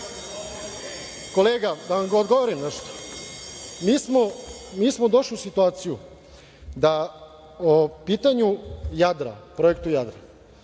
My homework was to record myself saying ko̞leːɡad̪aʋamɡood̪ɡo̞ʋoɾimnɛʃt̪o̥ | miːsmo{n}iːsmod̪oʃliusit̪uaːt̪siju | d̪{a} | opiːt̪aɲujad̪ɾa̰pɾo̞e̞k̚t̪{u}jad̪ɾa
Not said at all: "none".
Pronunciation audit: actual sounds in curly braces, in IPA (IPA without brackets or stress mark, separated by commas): m, a, u